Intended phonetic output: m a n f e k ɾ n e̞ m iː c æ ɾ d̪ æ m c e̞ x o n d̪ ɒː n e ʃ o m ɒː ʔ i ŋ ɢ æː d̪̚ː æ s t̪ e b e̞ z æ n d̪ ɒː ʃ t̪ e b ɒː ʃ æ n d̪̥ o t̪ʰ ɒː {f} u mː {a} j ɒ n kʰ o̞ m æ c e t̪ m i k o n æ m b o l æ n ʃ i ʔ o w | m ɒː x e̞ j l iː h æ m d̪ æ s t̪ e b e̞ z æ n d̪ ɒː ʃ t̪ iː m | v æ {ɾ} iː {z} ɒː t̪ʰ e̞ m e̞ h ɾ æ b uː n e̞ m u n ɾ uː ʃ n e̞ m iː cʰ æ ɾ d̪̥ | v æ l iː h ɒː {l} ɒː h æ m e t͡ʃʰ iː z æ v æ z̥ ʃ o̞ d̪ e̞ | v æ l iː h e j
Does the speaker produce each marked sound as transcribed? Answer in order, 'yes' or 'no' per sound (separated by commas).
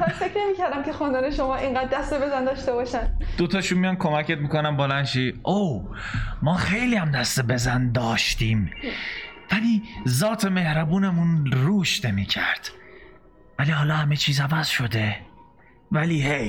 no, no, no, yes, yes